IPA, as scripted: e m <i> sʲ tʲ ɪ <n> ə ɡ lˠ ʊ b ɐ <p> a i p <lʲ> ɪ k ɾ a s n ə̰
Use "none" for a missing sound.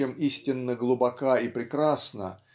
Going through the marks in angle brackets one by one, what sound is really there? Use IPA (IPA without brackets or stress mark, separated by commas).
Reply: i, nː, k, ɾʲ